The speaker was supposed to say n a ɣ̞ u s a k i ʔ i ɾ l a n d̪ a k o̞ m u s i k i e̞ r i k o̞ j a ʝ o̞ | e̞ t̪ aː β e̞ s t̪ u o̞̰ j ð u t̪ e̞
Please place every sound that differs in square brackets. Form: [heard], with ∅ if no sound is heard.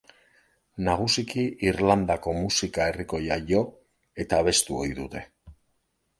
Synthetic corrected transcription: n a ɣ̞ u s [i] k i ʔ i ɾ l a n d̪ a k o̞ m u s i k [a] e̞ r i k o̞ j a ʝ o̞ | e̞ t̪ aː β e̞ s t̪ u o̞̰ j ð u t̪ e̞